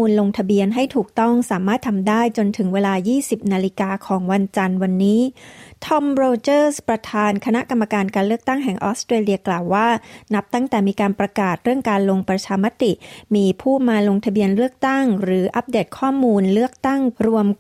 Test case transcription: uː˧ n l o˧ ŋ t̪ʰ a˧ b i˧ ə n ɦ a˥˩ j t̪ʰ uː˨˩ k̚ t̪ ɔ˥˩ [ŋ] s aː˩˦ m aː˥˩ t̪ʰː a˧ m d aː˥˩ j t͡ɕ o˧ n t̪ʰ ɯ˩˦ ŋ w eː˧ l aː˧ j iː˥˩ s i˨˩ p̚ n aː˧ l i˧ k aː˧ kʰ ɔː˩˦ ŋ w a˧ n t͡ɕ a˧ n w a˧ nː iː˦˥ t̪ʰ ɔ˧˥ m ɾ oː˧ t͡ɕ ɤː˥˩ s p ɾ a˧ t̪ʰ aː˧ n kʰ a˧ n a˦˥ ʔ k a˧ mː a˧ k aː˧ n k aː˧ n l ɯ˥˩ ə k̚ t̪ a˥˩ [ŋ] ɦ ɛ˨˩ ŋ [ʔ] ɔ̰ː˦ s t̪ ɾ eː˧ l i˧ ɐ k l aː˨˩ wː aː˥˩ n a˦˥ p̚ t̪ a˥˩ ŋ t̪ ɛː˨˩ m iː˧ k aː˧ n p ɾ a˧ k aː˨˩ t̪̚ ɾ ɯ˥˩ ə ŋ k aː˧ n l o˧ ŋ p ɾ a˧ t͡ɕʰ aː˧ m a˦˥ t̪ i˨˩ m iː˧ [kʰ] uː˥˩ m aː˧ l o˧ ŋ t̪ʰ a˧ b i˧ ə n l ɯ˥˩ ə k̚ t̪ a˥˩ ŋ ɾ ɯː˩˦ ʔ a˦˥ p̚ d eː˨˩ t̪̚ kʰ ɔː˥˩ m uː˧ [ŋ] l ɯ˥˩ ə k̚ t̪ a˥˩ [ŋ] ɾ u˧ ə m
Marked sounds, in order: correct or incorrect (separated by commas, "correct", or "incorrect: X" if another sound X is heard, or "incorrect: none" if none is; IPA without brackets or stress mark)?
correct, correct, correct, incorrect: pʰ, incorrect: n, correct